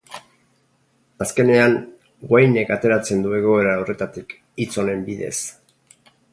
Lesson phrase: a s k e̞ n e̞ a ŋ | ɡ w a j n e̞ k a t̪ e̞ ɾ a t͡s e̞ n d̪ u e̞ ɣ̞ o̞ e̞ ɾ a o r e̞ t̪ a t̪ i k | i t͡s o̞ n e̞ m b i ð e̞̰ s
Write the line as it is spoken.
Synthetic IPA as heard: a s k e̞ n e̞ a ŋ | ɡ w a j n e̞ k a t̪ e̞ ɾ a t͡s e̞ n d̪ u e̞ ɣ̞ o̞ e̞ ɾ a o r e̞ t̪ a t̪ i k | i t͡s o̞ n e̞ m b i ð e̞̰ s